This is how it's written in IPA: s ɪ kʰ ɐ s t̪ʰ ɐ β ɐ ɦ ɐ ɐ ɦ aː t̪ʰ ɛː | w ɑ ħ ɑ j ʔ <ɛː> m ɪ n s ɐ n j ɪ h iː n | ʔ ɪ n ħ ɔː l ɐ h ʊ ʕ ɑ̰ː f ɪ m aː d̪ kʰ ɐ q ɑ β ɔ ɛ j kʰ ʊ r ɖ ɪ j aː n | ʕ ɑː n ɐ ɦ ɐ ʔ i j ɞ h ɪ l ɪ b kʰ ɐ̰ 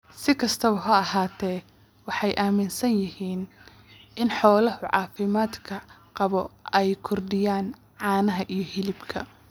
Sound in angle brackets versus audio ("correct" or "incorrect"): incorrect